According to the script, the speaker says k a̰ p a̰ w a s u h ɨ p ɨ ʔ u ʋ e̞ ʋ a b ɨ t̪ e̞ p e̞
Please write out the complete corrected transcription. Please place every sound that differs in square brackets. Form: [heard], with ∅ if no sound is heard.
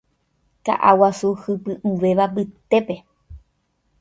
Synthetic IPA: k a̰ [ʔ] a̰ w a s u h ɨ p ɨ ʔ u ʋ e̞ ʋ a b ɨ t̪ e̞ p e̞